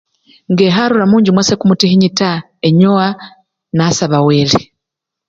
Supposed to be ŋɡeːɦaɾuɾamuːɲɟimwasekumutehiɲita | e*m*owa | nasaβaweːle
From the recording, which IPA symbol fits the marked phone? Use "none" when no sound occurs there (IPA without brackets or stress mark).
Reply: ɲ